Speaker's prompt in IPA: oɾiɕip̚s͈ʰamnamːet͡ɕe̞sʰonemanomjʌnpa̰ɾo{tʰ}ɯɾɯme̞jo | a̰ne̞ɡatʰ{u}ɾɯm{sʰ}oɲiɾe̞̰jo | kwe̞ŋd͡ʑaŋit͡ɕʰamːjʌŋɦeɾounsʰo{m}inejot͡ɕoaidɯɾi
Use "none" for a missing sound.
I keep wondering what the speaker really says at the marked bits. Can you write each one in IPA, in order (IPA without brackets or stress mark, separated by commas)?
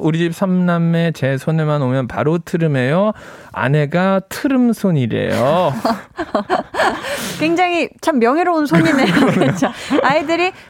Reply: tʰ, ɯ, sʰ, ɲ